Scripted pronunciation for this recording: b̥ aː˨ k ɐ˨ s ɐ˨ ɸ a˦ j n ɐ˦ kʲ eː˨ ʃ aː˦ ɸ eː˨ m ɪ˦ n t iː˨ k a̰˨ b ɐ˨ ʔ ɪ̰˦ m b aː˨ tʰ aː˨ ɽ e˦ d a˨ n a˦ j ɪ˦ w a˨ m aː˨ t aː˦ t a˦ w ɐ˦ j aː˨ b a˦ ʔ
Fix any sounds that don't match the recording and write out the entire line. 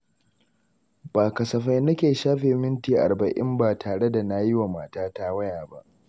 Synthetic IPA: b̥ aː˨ k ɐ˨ s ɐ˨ ɸ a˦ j n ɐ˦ kʲ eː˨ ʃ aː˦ ɸ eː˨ m ɪ˦ n t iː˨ ʔ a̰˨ b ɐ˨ ʔ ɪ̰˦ m b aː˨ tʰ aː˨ ɽ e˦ d a˨ n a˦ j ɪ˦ w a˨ m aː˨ t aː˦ t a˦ w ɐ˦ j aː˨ b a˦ ʔ